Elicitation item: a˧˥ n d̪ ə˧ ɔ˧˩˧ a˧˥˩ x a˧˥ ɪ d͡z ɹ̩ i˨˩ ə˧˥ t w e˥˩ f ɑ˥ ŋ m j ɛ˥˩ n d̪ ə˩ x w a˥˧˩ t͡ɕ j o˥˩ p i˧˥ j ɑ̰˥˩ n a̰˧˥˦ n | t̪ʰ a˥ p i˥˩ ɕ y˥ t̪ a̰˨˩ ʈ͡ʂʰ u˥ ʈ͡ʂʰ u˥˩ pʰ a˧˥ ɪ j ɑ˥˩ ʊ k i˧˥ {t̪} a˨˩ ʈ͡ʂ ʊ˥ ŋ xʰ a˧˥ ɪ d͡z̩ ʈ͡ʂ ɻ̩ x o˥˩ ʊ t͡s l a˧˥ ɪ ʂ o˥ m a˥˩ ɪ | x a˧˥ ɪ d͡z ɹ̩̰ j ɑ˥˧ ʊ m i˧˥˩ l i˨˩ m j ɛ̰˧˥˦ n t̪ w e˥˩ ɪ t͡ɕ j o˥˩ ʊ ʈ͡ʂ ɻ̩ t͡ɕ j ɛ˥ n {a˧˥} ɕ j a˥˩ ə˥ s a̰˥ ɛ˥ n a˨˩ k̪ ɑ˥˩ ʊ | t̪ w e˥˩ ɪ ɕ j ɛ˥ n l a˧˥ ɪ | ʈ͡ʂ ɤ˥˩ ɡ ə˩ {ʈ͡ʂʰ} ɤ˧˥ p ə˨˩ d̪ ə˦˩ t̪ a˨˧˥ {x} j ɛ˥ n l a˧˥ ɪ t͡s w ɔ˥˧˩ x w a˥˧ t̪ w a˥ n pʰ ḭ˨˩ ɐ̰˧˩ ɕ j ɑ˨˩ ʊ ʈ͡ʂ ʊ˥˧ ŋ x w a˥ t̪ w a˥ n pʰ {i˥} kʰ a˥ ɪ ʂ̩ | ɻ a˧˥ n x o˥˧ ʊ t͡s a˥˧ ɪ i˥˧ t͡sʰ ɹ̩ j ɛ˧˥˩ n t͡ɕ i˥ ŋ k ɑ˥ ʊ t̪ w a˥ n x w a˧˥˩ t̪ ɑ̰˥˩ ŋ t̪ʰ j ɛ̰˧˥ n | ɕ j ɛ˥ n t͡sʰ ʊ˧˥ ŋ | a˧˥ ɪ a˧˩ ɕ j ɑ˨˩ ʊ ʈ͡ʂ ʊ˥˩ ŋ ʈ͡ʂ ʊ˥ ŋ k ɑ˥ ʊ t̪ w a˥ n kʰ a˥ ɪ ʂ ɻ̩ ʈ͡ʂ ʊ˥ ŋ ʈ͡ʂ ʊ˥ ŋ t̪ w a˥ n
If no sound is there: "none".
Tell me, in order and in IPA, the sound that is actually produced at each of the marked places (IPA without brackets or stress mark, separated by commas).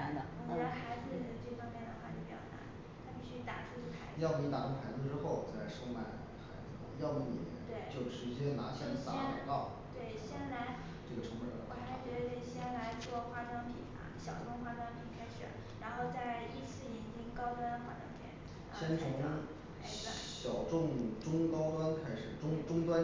t̪, a˧˥, ʈ͡ʂʰ, ɕ, i˨˩